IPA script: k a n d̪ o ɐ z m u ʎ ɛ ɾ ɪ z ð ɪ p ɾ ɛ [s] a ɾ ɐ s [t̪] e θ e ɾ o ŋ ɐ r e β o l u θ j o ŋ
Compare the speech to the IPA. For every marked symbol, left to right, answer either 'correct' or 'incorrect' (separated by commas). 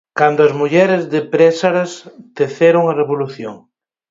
correct, correct